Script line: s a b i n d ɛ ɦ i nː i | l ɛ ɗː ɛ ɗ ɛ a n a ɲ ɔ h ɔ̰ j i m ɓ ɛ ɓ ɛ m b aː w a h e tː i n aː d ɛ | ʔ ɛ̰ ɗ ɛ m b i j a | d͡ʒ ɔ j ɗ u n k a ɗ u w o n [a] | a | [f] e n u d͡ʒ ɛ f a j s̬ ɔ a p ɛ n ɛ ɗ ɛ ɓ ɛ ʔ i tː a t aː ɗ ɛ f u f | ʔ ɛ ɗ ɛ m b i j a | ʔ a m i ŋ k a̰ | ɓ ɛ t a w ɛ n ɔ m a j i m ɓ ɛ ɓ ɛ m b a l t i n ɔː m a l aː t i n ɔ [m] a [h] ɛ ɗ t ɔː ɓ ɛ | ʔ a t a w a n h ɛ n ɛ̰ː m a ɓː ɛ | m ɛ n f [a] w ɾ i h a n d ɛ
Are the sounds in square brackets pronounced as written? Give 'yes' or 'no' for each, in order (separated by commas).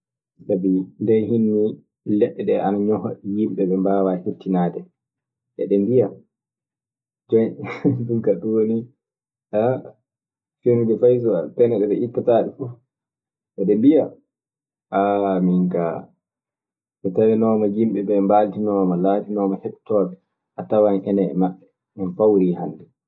no, yes, yes, yes, yes